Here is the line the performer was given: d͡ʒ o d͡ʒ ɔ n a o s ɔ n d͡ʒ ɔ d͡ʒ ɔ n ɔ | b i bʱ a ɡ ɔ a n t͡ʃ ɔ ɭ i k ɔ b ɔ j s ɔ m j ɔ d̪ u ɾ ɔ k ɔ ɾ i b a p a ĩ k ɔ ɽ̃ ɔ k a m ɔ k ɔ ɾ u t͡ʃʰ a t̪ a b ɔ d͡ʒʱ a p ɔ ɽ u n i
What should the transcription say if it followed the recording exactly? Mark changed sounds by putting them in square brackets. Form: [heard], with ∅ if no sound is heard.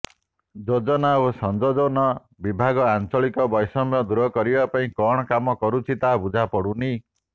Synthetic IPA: d͡ʒ o d͡ʒ ɔ n a o s ɔ n d͡ʒ ɔ d͡ʒ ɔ n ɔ | b i bʱ a ɡ ɔ a n t͡ʃ ɔ ɭ i k ɔ b ɔ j s ɔ m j ɔ d̪ u ɾ ɔ k ɔ ɾ i b a p a ĩ k ɔ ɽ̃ ɔ k a m ɔ k ɔ ɾ u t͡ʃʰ [i] t̪ a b [u] d͡ʒʱ a p ɔ ɽ u n i